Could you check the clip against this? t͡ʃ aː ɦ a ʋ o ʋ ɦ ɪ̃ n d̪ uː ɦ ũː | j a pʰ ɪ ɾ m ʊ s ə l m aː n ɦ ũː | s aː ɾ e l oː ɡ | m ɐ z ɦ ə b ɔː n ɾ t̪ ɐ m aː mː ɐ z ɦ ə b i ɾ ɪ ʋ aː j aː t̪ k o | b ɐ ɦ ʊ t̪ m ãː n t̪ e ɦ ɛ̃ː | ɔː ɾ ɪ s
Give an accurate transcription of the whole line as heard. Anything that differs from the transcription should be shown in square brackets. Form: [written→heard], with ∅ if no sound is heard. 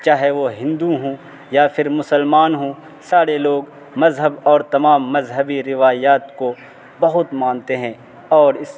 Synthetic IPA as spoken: t͡ʃ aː ɦ [a→e] ʋ o [ʋ→∅] ɦ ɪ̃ n d̪ [uː→u] ɦ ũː | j a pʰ ɪ ɾ m ʊ s ə l m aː n ɦ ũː | s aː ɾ e l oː ɡ | m ɐ z ɦ ə b ɔː [n→∅] ɾ t̪ ɐ m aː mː ɐ z ɦ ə b i ɾ ɪ ʋ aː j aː t̪ k o | b ɐ ɦ ʊ t̪ m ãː n t̪ e ɦ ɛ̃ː | ɔː ɾ ɪ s